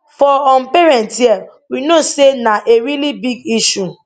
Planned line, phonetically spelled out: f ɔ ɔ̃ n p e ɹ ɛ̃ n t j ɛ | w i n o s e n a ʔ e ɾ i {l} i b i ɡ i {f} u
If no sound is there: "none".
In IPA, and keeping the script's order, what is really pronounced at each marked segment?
l, ʃ

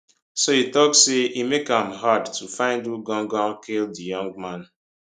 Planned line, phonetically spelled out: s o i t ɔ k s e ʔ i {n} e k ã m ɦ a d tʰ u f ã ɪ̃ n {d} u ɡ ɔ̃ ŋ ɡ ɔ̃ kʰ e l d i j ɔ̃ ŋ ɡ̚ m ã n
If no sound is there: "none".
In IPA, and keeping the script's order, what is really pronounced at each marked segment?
m, d

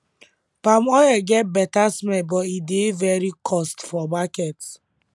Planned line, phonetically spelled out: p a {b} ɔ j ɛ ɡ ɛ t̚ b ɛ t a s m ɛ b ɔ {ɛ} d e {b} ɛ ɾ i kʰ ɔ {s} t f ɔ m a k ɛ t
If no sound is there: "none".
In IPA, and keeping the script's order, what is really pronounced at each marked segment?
m, i, v, s

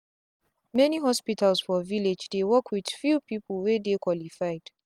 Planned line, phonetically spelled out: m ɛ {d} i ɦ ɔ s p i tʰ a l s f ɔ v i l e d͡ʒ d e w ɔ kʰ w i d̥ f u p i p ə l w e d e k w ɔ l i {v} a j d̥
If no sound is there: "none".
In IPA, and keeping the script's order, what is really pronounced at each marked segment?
n, f

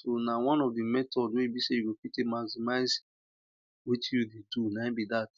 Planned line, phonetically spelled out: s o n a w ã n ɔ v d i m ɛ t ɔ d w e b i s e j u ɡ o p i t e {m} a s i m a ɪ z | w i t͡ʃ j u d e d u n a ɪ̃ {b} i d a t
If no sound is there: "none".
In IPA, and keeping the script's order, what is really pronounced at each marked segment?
m, b

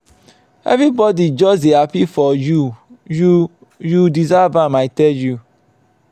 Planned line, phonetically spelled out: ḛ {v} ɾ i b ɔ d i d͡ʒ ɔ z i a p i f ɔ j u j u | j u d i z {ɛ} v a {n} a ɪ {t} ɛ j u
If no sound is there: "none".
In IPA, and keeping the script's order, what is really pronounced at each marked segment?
v, a, m, t

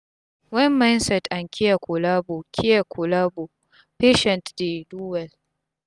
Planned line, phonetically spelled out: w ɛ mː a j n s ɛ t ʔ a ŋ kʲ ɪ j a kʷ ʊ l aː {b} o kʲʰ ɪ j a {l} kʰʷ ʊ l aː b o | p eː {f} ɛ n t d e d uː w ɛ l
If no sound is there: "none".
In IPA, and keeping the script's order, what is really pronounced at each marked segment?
b, none, ʃ

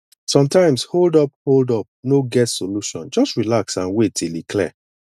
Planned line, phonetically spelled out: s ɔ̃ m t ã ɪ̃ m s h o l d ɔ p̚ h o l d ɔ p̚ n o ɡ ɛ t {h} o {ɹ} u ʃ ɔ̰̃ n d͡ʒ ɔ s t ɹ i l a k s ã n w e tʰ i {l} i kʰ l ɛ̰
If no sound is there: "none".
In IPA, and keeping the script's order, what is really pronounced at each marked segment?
s, l, l

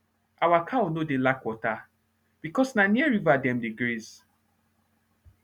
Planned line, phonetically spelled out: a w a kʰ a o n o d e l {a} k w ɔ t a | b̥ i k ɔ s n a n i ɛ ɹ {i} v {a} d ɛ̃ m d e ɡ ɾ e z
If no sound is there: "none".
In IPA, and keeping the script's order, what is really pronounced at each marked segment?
a, i, a

